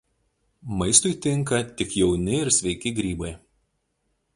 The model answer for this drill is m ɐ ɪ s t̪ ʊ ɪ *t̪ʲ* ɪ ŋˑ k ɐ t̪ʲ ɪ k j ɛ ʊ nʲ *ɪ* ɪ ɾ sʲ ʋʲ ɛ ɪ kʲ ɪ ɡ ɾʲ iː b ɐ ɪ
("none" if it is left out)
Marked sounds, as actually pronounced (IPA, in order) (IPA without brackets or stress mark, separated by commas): t̪ʲ, ɪ